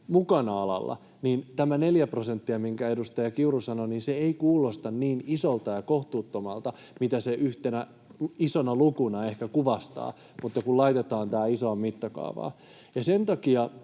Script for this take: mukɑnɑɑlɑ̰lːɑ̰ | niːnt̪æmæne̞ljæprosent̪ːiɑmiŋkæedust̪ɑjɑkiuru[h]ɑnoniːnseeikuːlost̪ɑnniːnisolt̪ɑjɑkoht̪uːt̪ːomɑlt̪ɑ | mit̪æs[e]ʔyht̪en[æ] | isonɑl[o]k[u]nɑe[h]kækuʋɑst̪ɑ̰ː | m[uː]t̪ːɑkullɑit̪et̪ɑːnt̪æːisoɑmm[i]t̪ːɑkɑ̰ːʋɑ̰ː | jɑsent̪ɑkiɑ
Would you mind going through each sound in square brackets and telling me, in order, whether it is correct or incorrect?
incorrect, correct, correct, incorrect, correct, correct, incorrect, correct

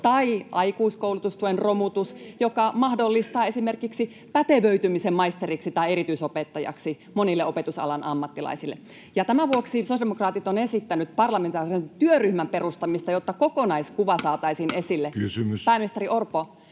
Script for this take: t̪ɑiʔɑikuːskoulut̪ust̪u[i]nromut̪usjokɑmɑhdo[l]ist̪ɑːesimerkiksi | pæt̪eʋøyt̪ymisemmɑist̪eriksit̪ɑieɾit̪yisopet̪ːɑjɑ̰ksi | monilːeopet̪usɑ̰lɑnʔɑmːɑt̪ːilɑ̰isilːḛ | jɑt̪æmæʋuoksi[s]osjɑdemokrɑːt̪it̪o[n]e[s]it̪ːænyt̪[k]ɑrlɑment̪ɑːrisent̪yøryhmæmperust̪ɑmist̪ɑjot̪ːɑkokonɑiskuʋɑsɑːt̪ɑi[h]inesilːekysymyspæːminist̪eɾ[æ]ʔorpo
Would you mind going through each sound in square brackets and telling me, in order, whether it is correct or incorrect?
incorrect, incorrect, correct, correct, correct, incorrect, incorrect, incorrect

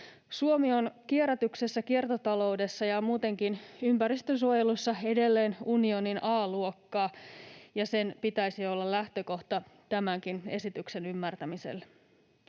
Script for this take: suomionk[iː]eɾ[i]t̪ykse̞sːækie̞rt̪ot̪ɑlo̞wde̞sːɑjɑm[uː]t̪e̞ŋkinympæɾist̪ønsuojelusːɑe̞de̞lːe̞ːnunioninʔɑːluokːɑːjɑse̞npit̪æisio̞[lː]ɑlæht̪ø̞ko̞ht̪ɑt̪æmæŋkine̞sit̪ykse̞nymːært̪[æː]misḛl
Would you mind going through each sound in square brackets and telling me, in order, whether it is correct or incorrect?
incorrect, incorrect, correct, correct, incorrect

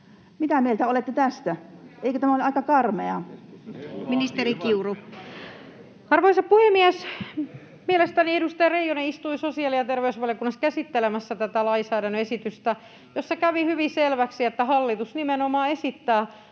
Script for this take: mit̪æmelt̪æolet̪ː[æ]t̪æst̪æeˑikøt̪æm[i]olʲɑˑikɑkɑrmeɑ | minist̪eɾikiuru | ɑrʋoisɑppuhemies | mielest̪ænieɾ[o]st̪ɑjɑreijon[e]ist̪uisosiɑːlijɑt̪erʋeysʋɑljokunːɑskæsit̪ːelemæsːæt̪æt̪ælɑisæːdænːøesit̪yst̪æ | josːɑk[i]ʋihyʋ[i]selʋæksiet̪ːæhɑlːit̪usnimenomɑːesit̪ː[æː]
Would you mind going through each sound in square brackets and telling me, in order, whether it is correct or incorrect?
incorrect, incorrect, incorrect, correct, incorrect, correct, correct

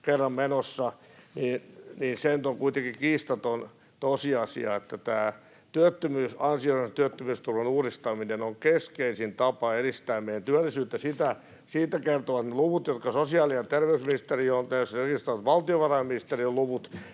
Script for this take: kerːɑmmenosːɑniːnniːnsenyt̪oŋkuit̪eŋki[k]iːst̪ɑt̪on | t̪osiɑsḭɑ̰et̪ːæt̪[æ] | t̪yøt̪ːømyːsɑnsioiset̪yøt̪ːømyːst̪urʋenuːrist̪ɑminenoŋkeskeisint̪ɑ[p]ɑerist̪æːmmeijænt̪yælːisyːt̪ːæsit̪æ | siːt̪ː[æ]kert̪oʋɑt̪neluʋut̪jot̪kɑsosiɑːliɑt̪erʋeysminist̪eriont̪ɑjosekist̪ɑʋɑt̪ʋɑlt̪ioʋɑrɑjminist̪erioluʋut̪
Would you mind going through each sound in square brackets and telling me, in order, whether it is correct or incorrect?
correct, incorrect, correct, correct

